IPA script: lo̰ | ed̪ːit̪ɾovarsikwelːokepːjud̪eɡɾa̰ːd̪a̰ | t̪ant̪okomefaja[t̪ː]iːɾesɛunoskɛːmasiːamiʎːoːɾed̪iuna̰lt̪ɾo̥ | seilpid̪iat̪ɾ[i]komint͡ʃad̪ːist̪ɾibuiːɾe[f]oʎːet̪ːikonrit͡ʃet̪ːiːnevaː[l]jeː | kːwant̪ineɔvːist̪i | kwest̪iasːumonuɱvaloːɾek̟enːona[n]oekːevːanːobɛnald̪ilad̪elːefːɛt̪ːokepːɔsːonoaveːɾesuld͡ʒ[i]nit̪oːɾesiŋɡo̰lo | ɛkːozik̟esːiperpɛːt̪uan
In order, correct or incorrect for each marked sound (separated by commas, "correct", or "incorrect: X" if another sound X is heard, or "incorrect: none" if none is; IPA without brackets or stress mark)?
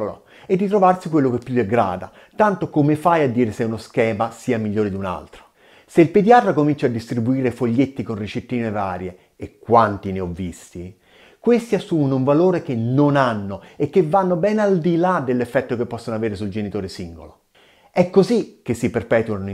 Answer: incorrect: d̪ː, incorrect: a, correct, incorrect: ɾ, incorrect: nː, incorrect: e